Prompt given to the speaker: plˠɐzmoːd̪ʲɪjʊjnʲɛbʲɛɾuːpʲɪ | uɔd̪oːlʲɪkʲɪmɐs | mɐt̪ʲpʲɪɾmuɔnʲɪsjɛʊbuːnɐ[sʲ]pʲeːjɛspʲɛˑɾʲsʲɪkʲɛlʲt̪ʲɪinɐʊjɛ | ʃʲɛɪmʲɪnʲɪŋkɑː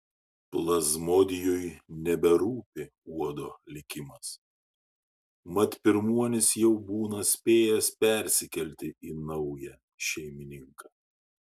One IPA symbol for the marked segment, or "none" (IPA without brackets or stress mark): sʲ